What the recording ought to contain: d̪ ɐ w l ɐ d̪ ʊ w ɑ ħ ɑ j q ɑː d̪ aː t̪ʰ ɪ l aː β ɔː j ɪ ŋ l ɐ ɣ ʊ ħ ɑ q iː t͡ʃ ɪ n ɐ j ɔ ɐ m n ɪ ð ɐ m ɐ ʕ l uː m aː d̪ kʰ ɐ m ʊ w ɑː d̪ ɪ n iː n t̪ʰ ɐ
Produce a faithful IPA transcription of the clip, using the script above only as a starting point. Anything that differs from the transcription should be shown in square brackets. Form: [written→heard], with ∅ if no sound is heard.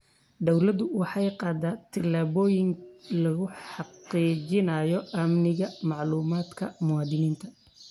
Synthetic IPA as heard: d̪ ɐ w l ɐ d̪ ʊ w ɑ ħ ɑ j q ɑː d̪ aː t̪ʰ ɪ l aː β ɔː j ɪ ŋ l ɐ ɣ ʊ ħ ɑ q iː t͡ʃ ɪ n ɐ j ɔ ɐ m n ɪ [ð→ɣ] ɐ m [ɐ→ɑ] ʕ l uː m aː d̪ kʰ ɐ m ʊ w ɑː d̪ ɪ n iː n t̪ʰ ɐ